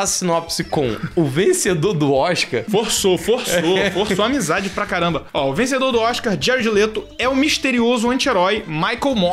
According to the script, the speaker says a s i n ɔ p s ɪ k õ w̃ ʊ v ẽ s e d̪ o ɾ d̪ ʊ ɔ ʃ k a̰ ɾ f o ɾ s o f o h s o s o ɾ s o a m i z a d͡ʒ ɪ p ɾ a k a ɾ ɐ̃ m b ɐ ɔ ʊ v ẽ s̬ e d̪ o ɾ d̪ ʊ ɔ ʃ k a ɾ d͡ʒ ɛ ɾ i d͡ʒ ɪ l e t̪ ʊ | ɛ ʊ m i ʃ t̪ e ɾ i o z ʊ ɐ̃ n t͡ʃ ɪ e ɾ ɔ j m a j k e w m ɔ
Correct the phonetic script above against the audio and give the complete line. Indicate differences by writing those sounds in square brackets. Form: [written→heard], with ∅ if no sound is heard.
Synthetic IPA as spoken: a s i n ɔ p s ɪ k õ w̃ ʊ v ẽ s e d̪ o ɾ d̪ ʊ ɔ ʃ k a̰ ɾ f o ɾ s o f o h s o [s→f] o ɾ s o a m i z a d͡ʒ ɪ p ɾ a k a ɾ ɐ̃ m b ɐ ɔ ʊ v ẽ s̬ e d̪ o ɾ d̪ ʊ ɔ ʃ k a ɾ d͡ʒ ɛ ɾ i d͡ʒ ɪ l e t̪ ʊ | ɛ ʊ m i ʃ t̪ e ɾ i o z ʊ ɐ̃ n t͡ʃ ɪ e ɾ ɔ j m a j k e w m ɔ